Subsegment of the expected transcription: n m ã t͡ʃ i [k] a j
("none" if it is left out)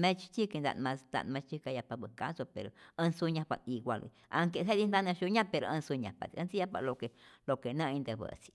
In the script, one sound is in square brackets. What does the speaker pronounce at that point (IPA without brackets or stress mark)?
k